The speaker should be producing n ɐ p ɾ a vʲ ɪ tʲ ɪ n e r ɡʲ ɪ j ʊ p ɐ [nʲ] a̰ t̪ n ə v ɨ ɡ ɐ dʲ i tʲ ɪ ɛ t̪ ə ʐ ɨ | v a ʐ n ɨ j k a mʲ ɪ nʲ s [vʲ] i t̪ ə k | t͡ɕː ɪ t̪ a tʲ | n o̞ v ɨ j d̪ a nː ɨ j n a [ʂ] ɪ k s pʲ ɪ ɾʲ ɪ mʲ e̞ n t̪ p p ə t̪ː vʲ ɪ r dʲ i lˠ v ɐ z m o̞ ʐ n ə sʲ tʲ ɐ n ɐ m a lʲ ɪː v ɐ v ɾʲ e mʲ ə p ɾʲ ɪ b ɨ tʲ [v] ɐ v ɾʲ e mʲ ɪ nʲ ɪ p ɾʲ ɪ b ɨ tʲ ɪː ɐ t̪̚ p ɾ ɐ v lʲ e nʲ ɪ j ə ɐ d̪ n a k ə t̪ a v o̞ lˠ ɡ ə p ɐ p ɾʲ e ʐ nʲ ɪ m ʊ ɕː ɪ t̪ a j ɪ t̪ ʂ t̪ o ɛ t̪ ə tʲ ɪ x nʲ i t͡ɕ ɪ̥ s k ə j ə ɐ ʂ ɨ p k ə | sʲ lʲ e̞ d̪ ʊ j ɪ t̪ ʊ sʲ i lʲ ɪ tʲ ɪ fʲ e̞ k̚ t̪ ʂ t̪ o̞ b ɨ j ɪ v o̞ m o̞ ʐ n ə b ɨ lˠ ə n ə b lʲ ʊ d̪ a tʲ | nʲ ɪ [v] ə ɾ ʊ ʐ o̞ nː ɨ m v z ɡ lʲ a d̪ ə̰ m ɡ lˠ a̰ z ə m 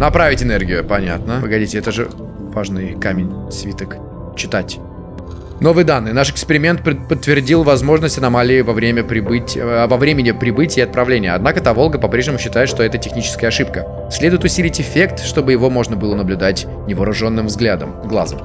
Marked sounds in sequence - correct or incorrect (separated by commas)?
correct, correct, correct, correct, correct